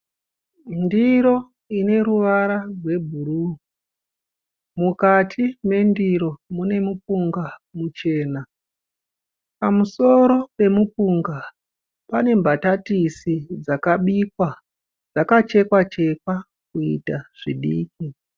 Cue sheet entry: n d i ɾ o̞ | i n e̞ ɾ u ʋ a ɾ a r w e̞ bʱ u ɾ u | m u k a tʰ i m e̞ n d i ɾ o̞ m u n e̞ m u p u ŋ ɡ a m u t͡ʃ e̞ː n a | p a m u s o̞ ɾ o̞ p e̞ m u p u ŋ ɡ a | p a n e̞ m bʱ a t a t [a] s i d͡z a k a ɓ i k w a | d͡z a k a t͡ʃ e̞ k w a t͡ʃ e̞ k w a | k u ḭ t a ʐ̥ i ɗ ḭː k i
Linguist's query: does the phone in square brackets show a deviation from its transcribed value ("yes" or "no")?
yes